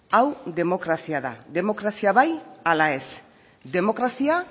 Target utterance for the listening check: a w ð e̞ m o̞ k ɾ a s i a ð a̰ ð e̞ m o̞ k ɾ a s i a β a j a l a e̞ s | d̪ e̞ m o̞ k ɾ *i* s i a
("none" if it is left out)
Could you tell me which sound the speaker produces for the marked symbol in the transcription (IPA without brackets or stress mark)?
a